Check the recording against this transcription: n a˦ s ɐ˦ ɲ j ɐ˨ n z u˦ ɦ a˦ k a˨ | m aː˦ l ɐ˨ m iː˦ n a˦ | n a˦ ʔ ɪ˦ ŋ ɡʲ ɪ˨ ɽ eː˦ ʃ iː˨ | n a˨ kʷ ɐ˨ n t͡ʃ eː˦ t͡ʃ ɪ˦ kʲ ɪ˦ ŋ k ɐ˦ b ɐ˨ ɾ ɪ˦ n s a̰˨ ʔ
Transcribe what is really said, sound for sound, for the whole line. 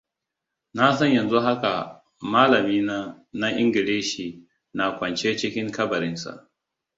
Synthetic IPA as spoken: n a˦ s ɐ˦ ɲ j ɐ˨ n z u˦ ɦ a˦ k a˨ | m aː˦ l ɐ˨ m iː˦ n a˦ | n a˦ ʔ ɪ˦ ŋ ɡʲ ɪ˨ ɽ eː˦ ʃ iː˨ | n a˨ kʷ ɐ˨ n t͡ʃ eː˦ t͡ʃ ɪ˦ kʲ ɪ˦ ŋ k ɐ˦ b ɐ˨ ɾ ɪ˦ n s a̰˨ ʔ